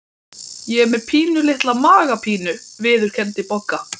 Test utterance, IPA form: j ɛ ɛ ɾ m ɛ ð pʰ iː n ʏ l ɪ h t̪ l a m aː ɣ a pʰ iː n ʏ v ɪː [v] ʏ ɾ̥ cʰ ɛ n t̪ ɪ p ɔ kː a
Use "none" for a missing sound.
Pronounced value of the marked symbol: ð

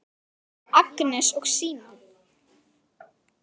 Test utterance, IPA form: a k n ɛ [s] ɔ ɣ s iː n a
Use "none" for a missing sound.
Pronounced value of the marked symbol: s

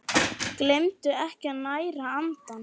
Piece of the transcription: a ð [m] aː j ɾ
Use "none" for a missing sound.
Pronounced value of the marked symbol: n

